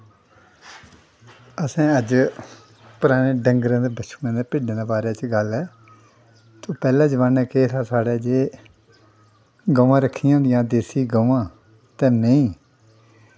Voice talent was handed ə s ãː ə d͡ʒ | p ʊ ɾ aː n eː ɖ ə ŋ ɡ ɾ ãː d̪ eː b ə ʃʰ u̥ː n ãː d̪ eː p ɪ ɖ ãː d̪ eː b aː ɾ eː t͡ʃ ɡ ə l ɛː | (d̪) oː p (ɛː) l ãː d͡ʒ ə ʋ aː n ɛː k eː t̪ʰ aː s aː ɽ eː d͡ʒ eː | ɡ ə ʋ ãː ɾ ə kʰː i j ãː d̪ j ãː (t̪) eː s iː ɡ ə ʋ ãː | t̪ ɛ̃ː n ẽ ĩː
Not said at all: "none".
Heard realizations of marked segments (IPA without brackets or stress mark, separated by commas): t̪, ɛː, d̪